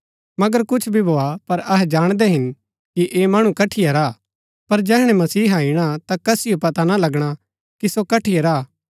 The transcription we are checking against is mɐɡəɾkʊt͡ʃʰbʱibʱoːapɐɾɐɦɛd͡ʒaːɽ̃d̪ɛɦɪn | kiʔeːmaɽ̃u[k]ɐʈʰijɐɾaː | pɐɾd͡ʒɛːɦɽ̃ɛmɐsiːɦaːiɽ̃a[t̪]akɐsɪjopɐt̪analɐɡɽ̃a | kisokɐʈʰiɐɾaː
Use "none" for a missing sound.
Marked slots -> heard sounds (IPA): k, t̪

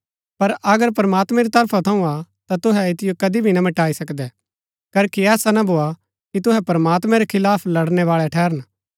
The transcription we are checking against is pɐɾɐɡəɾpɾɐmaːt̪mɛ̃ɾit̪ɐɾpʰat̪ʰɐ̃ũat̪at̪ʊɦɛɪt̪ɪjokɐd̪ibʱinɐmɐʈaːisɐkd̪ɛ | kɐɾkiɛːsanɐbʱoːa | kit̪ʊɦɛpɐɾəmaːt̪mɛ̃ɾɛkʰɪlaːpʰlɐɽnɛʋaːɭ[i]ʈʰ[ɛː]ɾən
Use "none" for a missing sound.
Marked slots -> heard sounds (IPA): ɛ, ɛː

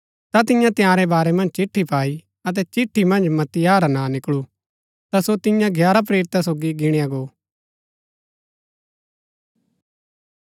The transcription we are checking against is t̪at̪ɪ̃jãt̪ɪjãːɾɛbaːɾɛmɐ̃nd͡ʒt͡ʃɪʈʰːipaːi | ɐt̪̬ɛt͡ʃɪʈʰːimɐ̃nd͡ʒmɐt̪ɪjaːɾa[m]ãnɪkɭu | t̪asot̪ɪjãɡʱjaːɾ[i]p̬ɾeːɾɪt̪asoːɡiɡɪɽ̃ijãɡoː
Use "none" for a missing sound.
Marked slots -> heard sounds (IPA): n, a

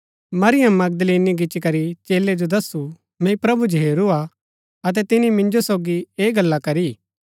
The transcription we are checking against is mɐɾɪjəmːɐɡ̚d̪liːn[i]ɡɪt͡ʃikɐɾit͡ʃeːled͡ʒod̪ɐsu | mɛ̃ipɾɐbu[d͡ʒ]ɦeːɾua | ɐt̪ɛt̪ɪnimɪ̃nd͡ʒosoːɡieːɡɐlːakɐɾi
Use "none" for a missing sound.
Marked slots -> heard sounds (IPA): i, d͡ʒ

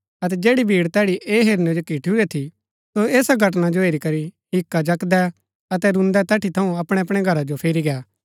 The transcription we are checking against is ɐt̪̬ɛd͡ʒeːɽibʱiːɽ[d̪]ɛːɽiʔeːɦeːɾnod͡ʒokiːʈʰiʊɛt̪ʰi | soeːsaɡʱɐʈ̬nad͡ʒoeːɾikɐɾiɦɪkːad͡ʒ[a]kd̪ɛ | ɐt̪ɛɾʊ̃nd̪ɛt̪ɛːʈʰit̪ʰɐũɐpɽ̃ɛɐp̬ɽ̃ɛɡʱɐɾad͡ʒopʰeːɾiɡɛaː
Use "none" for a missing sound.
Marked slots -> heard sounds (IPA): t̪, ɐ

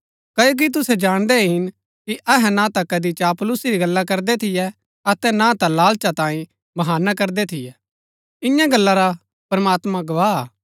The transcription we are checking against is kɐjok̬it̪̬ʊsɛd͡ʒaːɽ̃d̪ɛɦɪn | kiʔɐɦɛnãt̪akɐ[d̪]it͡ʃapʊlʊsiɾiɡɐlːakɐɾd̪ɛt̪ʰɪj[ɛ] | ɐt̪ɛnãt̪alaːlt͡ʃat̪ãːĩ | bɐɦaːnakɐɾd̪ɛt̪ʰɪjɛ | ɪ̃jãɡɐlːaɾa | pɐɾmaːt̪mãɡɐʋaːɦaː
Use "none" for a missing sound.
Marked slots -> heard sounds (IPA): d̪, ɛ

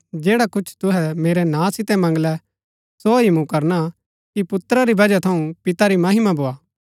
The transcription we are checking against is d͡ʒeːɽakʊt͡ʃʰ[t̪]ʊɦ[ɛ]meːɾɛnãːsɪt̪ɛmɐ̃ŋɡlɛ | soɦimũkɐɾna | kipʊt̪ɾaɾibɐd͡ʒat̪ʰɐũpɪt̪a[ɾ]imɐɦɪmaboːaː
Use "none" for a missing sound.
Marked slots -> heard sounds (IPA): t̪, ɛ, ɾ

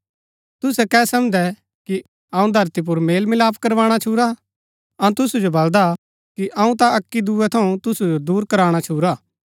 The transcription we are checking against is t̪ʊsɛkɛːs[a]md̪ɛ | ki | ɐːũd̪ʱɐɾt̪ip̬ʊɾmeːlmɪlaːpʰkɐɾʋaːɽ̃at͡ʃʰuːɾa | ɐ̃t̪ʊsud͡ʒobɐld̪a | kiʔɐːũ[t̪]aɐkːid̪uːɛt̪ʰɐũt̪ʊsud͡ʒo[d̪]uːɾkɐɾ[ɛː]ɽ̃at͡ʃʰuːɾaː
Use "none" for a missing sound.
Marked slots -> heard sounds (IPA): ɐ, t̪, d̪, aː

